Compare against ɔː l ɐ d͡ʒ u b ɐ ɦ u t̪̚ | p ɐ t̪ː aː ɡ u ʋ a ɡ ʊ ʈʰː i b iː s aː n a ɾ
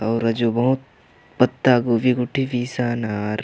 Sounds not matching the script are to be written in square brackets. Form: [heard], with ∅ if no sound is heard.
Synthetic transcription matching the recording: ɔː [ɾ] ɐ d͡ʒ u b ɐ ɦ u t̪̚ | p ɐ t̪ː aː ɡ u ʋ [i] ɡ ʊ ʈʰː i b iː s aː n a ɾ